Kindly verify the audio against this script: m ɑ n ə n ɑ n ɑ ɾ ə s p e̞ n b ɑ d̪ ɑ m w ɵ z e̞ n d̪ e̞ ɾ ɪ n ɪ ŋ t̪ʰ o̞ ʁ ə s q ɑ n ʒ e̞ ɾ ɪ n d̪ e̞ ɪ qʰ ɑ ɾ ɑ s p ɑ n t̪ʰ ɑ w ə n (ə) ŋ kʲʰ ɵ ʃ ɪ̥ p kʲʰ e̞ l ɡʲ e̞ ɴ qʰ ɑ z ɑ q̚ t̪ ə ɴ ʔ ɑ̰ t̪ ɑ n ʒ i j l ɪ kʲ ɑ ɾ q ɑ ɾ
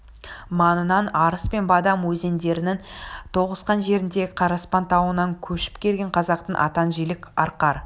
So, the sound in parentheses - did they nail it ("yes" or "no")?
no